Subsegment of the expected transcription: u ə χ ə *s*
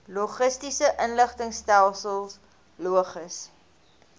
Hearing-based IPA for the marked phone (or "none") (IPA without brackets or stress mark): s